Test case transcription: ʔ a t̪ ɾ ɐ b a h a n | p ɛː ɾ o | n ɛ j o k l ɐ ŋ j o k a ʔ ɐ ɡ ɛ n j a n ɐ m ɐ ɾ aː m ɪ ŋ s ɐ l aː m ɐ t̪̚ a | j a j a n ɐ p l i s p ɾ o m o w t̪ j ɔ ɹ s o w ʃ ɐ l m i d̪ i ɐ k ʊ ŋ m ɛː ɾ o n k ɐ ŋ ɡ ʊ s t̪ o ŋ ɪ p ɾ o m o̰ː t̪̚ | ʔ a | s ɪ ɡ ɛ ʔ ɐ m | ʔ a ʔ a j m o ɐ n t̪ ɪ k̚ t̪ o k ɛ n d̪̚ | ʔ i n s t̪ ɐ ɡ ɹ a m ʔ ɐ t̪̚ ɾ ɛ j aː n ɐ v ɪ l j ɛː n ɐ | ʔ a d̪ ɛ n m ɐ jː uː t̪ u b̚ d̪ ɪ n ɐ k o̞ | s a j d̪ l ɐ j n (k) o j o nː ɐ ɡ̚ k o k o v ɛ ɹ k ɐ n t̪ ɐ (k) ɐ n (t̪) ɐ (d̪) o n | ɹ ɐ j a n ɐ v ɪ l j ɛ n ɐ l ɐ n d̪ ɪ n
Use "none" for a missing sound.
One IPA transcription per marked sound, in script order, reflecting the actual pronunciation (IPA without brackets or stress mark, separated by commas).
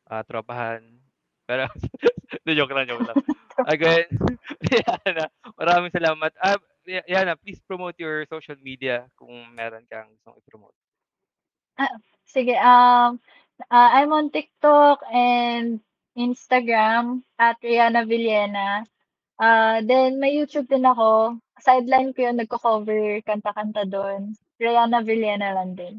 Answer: k, k, t̪, d̪